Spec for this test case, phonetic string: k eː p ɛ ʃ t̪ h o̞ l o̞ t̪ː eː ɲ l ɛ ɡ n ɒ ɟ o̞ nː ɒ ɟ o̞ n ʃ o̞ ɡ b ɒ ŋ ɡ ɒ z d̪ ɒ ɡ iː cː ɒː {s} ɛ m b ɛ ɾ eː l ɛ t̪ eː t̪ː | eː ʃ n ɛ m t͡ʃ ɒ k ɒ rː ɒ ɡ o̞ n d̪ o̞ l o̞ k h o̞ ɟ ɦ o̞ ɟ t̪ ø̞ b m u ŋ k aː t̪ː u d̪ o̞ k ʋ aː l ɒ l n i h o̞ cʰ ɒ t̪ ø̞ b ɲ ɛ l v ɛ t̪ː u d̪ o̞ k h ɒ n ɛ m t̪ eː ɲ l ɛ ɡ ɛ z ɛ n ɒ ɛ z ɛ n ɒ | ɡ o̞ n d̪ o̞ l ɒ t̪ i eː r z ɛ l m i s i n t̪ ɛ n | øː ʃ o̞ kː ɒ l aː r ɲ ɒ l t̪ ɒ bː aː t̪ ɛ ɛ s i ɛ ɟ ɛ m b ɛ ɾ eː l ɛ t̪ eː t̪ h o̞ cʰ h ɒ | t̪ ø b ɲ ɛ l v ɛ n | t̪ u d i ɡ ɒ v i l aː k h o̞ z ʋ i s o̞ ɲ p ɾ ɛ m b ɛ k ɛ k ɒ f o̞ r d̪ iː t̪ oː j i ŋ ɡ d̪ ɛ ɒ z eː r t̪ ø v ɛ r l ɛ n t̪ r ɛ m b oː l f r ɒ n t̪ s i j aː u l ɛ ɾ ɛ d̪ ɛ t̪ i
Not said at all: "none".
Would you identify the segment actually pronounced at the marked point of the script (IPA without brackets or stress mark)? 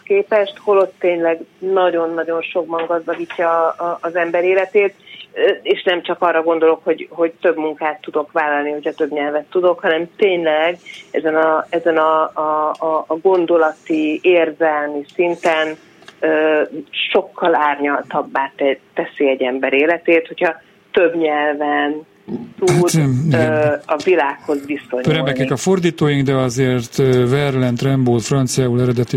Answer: z